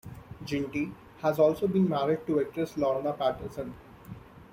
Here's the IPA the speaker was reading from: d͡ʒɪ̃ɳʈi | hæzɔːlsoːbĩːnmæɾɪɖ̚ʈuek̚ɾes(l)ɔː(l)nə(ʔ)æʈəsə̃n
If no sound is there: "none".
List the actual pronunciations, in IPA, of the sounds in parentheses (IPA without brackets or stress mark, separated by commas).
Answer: l, ɾ, p